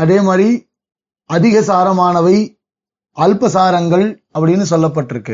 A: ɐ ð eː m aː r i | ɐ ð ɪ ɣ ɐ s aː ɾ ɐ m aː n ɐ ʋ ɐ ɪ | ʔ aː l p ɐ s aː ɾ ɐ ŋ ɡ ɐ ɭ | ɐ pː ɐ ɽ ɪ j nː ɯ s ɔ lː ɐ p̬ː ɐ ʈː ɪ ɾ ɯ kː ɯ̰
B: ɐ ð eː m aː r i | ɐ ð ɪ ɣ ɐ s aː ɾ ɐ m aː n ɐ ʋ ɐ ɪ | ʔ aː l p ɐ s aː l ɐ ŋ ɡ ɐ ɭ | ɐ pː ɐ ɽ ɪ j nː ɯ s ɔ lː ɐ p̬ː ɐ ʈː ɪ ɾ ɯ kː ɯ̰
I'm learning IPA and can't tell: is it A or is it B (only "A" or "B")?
A